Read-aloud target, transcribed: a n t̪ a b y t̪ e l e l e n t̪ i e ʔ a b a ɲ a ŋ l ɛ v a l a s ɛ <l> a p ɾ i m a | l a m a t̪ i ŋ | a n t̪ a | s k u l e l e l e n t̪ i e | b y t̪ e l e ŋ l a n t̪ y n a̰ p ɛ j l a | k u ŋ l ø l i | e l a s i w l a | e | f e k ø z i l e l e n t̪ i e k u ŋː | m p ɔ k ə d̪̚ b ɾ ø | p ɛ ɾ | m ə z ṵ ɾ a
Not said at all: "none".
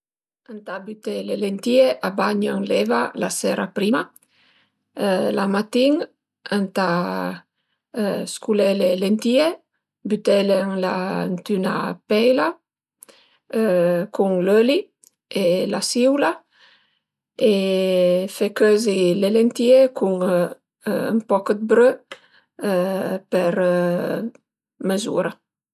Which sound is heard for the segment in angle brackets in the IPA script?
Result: ɾ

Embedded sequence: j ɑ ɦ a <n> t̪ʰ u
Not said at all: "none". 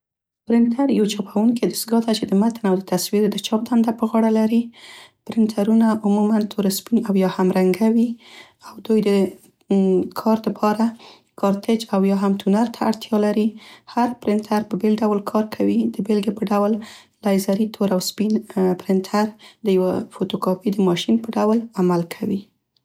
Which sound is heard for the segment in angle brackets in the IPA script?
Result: m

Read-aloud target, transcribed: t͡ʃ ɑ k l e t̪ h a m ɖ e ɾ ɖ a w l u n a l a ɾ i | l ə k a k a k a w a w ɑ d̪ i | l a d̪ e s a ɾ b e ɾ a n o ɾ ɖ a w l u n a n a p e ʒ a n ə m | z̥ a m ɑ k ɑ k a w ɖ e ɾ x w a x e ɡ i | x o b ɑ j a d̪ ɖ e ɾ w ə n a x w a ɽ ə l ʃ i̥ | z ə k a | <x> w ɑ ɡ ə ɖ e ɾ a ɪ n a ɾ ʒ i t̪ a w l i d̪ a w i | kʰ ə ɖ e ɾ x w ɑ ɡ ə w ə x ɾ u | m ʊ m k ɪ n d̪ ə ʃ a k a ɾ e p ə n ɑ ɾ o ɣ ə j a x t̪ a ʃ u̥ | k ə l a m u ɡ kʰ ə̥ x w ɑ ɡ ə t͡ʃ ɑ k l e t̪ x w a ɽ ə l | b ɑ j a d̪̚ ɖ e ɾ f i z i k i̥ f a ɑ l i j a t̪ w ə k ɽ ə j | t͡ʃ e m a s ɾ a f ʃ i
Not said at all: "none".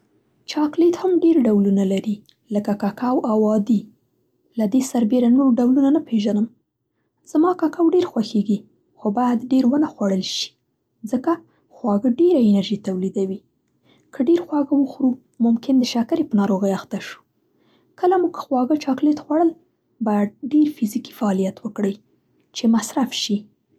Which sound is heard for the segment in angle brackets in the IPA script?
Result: x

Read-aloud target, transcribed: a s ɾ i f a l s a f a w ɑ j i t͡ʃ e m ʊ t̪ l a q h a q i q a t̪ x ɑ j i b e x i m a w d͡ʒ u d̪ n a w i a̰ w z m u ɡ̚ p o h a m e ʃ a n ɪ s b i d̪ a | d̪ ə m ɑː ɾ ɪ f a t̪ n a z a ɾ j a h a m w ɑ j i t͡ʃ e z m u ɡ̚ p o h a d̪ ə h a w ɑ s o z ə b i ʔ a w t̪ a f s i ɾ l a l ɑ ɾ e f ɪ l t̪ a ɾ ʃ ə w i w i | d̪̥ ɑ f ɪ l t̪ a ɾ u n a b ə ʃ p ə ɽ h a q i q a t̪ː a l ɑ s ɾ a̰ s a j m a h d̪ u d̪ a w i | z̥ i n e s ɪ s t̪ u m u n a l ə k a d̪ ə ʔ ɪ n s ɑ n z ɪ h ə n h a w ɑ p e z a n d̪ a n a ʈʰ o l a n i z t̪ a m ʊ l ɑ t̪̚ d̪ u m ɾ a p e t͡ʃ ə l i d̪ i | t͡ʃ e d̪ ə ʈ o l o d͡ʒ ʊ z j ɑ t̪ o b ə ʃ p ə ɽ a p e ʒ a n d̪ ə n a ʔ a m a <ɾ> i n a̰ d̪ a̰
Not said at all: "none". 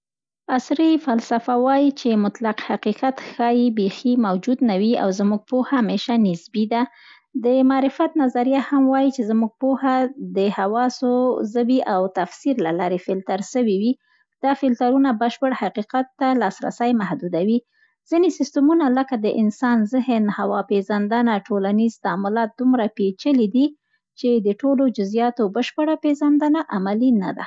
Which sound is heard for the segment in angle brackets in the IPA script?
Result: l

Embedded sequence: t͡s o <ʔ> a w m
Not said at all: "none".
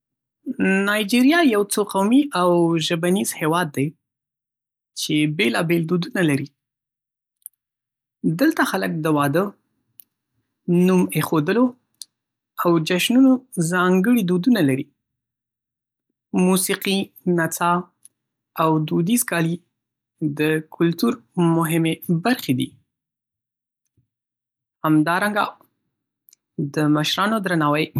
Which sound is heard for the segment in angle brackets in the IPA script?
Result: q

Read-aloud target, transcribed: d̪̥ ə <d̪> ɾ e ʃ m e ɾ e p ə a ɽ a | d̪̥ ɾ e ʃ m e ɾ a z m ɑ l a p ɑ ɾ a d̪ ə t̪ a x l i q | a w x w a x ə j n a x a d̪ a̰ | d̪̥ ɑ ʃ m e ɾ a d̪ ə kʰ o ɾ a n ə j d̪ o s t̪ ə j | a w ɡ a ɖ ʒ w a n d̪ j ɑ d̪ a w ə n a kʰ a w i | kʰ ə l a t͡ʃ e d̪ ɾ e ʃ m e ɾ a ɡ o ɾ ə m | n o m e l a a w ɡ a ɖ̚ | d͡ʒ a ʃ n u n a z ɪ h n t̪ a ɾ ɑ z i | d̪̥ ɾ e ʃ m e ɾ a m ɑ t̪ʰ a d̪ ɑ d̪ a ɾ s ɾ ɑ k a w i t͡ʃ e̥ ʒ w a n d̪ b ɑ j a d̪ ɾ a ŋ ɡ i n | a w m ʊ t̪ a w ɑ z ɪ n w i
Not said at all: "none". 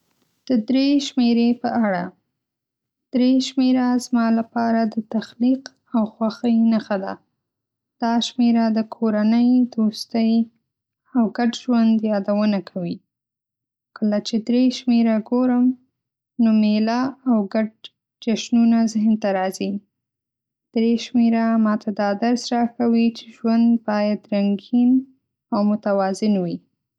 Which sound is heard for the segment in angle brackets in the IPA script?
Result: d̪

